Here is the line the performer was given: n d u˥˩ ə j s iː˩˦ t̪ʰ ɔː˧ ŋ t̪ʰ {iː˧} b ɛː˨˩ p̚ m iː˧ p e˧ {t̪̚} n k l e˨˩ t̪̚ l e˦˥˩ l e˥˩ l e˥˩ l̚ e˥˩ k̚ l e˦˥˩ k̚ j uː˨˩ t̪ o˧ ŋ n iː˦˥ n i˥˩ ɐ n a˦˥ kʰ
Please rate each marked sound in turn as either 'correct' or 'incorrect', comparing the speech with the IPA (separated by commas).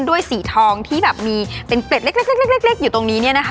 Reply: incorrect, incorrect